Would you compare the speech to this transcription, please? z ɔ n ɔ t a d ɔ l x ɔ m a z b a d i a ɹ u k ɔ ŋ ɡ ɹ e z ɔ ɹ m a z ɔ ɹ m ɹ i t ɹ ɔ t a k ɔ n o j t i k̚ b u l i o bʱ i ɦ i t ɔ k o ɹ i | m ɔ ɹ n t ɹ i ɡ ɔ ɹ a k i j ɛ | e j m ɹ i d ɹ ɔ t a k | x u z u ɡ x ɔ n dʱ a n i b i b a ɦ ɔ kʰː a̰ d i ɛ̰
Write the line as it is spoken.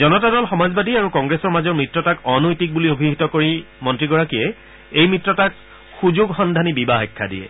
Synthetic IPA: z ɔ n ɔ t a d ɔ l x ɔ m a z b a d i a ɹ u k ɔ ŋ ɡ ɹ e s ɔ ɹ m a z ɔ ɹ m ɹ i t ɹ ɔ t a k ɔ n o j t i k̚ b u l i o bʱ i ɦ i t ɔ k o ɹ i | m ɔ n t ɹ i ɡ ɔ ɹ a k i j ɛ | e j m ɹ i t ɹ ɔ t a k | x u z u ɡ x ɔ n dʱ a n i b i b a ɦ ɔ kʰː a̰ d i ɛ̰